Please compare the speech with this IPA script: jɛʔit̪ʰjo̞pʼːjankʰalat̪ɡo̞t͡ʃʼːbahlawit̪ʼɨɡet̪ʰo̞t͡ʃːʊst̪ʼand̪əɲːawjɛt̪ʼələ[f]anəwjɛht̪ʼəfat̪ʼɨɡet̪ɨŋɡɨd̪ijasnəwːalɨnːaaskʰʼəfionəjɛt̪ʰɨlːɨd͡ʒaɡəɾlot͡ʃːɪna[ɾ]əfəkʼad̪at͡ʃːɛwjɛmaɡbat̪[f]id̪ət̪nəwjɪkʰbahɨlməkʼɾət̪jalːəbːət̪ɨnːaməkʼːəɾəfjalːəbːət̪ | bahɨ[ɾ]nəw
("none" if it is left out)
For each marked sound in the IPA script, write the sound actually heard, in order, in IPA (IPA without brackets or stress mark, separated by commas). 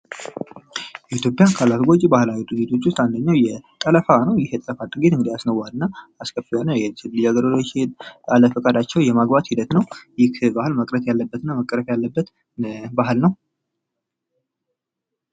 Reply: f, l, h, l